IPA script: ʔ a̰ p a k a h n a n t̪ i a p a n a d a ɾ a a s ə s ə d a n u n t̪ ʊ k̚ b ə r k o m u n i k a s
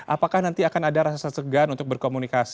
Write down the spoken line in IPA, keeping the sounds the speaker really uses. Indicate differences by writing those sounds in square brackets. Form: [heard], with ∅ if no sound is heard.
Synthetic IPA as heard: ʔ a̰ p a k a h n a n t̪ i a [k] a n a d a ɾ a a s [a] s ə [ɡ] a n u n t̪ ʊ k̚ b ə r k o m u n i k a s